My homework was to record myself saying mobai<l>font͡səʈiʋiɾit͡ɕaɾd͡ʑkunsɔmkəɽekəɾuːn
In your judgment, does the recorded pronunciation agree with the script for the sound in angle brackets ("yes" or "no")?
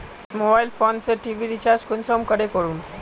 yes